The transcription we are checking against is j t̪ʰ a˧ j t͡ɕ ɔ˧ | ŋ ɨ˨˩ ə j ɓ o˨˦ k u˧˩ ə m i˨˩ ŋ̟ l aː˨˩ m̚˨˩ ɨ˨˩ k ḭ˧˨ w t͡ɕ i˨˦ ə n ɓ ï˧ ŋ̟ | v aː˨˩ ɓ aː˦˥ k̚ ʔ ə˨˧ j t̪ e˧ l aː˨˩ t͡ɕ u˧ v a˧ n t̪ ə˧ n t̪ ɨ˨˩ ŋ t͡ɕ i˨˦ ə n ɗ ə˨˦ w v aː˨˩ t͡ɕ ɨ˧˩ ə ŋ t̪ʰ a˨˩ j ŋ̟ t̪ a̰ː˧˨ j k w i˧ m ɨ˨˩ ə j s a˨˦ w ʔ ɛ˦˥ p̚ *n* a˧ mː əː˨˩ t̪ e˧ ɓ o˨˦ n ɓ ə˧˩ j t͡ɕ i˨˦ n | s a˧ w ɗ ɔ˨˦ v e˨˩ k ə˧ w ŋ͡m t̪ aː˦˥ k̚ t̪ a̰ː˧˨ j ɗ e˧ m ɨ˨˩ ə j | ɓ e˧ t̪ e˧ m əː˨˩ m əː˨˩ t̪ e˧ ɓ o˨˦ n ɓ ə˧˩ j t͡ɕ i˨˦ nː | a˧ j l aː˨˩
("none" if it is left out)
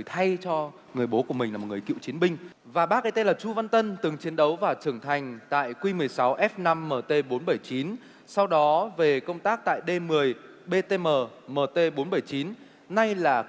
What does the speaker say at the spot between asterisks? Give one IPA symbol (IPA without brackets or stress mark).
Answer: n